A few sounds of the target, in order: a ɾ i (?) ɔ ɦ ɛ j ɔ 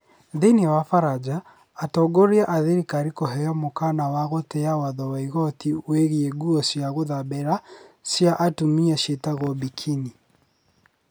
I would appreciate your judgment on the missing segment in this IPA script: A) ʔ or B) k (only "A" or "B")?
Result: B